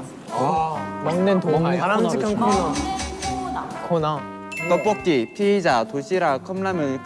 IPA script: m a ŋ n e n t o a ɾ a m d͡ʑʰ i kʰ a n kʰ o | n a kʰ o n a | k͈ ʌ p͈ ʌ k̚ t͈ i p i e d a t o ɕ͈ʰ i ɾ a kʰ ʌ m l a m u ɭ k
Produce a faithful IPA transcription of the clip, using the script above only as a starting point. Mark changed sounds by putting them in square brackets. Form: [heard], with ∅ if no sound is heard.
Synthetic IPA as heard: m a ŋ n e n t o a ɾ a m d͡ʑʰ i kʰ a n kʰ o | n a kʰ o n a | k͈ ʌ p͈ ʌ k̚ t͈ i [pʰ] i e [d͡ʑ] a t o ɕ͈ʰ i ɾ a kʰ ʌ m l a m [ɯ] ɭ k